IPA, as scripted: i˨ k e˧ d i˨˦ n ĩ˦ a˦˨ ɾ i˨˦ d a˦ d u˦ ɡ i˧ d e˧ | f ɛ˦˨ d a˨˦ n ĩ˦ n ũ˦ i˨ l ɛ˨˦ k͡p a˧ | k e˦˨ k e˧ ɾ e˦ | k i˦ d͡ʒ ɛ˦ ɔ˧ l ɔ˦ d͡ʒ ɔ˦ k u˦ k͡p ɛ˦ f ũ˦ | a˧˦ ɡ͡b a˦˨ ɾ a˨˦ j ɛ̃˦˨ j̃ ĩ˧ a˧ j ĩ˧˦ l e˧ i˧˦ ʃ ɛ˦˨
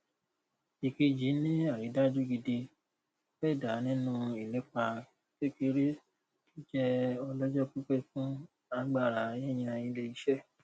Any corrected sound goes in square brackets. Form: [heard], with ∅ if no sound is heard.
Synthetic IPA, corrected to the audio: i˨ k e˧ [d͡ʒ] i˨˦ n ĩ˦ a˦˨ ɾ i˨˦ d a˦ [d͡ʒ] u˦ ɡ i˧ d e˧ | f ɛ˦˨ d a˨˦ n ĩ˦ n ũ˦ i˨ l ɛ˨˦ k͡p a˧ | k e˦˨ k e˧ ɾ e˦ | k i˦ d͡ʒ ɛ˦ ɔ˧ l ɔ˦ d͡ʒ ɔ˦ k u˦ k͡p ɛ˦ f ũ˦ | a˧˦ ɡ͡b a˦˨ ɾ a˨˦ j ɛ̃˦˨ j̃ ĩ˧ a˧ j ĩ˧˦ l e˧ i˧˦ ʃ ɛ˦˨